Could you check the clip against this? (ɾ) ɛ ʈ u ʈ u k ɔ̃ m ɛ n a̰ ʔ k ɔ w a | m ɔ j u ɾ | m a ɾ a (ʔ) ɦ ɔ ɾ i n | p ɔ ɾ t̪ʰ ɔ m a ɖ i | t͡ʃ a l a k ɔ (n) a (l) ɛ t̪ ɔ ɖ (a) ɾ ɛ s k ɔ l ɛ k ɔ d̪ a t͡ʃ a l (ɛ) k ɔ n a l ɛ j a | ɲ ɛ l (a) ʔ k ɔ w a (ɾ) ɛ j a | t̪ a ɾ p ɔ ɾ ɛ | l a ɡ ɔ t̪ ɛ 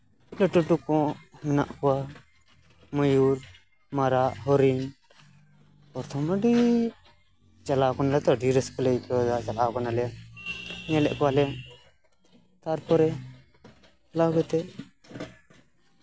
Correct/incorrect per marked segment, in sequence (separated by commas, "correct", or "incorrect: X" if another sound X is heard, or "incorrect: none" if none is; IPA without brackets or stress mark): incorrect: l, correct, correct, correct, incorrect: i, incorrect: a, incorrect: ɛ, incorrect: l